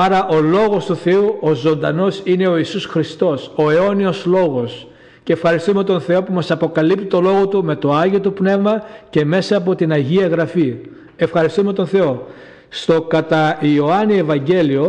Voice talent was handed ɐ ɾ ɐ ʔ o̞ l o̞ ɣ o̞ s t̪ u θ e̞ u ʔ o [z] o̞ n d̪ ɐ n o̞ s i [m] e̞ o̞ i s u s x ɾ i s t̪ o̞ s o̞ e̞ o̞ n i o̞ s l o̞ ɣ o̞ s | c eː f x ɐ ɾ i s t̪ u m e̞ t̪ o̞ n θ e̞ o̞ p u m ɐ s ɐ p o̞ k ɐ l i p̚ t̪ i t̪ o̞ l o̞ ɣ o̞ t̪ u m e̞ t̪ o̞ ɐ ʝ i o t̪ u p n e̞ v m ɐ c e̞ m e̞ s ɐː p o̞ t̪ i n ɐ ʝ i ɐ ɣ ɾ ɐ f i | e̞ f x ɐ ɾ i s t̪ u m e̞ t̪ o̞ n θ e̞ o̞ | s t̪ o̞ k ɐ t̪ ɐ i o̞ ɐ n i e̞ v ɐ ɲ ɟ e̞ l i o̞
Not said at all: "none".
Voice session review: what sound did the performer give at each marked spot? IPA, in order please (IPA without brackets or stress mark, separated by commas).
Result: z, n